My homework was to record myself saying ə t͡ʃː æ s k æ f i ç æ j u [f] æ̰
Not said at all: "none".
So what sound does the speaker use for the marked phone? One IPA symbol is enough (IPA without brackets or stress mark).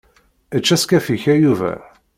v